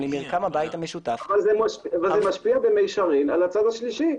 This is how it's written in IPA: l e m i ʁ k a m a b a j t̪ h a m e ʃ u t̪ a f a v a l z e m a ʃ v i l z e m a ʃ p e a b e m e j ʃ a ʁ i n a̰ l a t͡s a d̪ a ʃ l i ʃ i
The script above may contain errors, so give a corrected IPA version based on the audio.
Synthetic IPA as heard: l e m i ʁ k a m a b a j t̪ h a m e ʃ u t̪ a f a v a l z e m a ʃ v a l z e m a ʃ p i a b e m e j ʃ a ʁ i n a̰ l a t͡s a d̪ a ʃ l i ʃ i